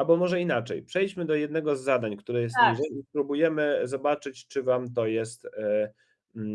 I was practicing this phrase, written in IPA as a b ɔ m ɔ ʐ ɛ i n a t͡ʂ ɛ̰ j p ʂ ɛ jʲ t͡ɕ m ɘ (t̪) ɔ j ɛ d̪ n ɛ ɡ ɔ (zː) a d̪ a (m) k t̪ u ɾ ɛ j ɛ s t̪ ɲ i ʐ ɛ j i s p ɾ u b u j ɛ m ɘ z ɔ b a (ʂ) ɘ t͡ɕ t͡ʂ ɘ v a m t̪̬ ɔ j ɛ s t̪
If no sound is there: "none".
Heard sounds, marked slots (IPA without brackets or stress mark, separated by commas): d̪, zː, ɲ, t͡ʂ